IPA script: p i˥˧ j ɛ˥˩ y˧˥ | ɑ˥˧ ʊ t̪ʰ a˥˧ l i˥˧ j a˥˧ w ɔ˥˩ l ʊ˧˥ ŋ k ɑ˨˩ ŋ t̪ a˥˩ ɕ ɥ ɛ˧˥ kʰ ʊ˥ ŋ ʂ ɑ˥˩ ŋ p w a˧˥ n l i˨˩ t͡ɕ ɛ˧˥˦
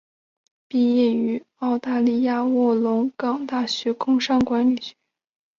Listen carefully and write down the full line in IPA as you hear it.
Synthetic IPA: p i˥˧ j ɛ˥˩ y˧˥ | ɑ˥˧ ʊ t̪ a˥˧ l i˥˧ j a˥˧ w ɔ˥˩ l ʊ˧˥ ŋ k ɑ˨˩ ŋ t̪ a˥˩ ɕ ɥ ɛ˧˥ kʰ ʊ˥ ŋ ʂ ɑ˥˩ ŋ k w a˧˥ n l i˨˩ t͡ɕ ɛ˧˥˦